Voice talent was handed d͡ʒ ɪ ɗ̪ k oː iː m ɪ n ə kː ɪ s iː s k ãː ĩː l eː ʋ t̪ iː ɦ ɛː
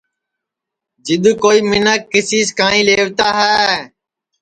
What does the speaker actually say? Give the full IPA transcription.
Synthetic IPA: d͡ʒ ɪ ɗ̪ k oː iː m ɪ n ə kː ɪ s iː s k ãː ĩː l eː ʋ t̪ aː ɦ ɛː

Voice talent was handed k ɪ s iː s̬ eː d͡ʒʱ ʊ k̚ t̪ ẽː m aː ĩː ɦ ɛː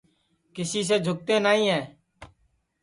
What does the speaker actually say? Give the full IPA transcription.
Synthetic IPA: k ɪ s iː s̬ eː d͡ʒʱ ʊ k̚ t̪ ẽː n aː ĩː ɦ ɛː

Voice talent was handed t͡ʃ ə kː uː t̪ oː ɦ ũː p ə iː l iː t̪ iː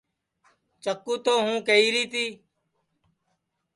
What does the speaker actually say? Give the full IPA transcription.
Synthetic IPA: t͡ʃ ə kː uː t̪ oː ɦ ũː k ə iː ɾ iː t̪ iː

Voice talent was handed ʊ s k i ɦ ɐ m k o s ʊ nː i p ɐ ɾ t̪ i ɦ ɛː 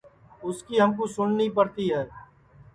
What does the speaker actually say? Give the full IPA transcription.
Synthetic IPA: ʊ s k i ɦ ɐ m k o s ʊ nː i p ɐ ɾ t̪ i ɦ ɛː

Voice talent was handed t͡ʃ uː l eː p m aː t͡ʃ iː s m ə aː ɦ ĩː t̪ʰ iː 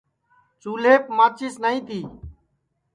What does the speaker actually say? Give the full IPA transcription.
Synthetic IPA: t͡ʃ uː l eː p m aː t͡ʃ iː s n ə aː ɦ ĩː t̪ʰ iː

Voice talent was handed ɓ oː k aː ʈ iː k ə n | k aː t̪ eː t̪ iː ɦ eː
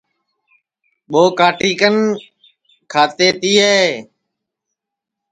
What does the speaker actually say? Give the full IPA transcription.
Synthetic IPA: ɓ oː k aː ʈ iː k ə n | kʰ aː t̪ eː t̪ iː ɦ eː

